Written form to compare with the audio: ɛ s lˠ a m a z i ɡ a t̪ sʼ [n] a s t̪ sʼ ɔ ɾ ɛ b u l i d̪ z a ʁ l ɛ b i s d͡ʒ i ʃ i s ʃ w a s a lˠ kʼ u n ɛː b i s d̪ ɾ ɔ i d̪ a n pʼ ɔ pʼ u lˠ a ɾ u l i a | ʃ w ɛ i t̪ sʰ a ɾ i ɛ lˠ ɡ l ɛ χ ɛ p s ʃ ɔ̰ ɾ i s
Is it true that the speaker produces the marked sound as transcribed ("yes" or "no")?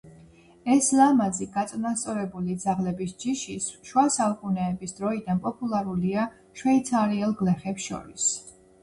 yes